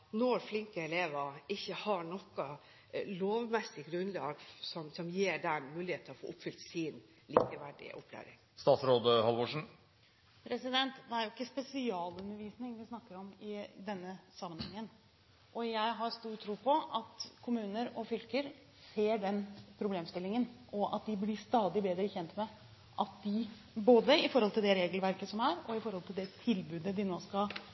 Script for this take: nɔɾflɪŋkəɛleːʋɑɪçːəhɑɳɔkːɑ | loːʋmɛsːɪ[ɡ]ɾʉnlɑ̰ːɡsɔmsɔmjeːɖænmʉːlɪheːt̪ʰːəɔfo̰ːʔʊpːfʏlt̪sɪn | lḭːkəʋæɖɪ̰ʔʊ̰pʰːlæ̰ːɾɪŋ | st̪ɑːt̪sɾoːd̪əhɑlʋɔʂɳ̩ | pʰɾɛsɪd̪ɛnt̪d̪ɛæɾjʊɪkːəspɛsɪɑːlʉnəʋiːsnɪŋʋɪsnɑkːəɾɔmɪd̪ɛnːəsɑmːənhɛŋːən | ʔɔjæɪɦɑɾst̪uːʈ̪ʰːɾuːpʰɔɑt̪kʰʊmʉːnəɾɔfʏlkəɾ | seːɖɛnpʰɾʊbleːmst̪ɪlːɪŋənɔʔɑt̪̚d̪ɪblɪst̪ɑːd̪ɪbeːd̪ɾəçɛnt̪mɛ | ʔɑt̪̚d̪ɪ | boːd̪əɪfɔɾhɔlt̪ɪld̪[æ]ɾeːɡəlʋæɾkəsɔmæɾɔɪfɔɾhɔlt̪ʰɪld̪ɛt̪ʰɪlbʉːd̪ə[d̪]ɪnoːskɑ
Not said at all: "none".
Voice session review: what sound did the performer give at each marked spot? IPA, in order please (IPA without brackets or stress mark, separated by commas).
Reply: ɡ, ɛ, d̪